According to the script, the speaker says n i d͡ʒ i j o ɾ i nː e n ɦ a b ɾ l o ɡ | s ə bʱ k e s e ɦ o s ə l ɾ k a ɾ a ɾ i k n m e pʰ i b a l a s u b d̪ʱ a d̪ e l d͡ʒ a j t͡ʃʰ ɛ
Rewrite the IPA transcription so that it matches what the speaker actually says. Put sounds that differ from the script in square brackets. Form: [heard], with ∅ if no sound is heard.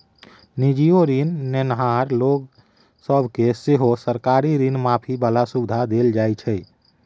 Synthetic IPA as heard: n i d͡ʒ i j o ɾ i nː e n ɦ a [∅] ɾ l o ɡ | s ə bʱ k e s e ɦ o s ə [∅] ɾ k a ɾ [i] ɾ i [∅] n m [a] pʰ i b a l a s u b d̪ʱ a d̪ e l d͡ʒ a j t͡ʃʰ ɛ